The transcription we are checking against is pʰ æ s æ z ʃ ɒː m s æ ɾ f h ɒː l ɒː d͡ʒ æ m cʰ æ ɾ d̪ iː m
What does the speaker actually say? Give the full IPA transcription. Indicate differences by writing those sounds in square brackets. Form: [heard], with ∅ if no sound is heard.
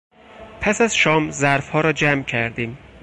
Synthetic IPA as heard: pʰ æ s æ z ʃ ɒː m [z] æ ɾ f h ɒː [ɾ] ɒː d͡ʒ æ m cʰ æ ɾ d̪ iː m